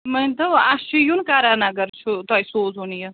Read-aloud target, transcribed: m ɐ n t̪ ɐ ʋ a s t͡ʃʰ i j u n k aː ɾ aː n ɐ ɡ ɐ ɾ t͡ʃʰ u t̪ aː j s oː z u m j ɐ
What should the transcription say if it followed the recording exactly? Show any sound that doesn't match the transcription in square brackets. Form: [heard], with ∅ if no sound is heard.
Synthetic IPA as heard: m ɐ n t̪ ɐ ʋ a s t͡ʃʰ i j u n k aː ɾ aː n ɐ ɡ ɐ ɾ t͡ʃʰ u t̪ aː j s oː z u [n] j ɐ

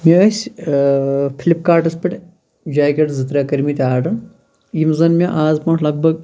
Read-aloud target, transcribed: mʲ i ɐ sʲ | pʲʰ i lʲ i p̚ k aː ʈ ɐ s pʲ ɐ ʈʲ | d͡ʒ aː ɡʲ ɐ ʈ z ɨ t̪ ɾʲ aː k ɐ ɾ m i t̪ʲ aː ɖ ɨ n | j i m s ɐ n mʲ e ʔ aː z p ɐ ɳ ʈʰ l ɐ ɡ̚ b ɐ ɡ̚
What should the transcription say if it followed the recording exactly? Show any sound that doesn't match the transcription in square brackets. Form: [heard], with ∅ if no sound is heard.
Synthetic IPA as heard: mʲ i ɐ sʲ | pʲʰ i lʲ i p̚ k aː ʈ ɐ s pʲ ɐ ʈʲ | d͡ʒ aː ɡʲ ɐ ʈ z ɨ t̪ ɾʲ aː k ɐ ɾ m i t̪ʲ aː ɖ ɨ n | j i m [z] ɐ n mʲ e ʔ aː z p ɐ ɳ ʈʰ l ɐ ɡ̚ b ɐ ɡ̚

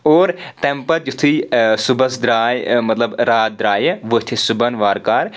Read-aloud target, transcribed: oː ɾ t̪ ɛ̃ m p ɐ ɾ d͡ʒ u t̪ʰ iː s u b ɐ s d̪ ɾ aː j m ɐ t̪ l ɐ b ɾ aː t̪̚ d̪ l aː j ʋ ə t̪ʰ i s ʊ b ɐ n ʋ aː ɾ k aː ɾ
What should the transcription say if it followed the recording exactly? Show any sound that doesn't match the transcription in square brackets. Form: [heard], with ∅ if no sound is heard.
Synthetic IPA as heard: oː ɾ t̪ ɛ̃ m p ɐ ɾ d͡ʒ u t̪ʰ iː s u b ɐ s d̪ ɾ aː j m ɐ t̪ l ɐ b ɾ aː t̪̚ d̪ [ɾ] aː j ʋ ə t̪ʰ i s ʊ b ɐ n ʋ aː ɾ k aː ɾ

